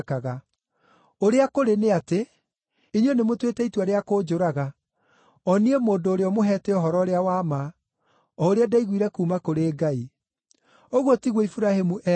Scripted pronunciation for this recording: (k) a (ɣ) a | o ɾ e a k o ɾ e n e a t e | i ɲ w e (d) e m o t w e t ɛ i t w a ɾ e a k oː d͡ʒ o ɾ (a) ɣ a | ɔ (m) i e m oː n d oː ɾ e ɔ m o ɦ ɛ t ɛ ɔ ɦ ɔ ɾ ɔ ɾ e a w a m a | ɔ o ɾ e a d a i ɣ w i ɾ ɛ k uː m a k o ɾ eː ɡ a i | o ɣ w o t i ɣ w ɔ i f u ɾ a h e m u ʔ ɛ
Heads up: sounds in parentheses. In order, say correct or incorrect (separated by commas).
correct, correct, incorrect, correct, incorrect